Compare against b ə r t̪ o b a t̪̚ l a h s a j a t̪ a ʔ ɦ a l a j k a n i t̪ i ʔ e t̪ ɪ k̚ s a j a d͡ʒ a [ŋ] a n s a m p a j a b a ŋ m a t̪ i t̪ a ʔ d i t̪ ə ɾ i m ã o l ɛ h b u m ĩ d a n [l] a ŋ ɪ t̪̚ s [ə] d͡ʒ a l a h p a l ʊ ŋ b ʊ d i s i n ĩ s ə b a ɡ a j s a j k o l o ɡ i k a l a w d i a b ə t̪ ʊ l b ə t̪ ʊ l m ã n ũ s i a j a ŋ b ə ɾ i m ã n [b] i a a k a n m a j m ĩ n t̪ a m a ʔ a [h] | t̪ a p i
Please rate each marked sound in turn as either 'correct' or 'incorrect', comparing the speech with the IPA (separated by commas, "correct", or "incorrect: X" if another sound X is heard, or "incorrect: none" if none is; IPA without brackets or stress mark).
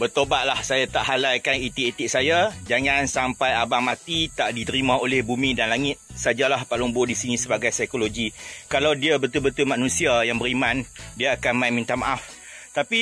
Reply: correct, correct, incorrect: a, incorrect: d, incorrect: f